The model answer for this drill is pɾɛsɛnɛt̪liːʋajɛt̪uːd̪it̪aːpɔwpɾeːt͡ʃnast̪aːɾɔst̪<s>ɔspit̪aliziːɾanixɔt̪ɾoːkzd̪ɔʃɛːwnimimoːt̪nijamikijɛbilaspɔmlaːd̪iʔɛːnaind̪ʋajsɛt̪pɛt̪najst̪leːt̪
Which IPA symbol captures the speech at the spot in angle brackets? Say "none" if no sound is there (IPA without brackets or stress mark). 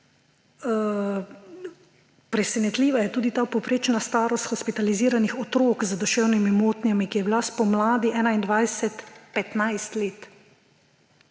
x